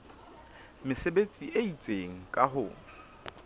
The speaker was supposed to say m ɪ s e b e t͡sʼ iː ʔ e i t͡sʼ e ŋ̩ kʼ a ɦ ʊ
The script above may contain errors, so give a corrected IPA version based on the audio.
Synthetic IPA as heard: m ɪ s e b e t͡sʼ i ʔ e i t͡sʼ e ŋ̩ kʼ a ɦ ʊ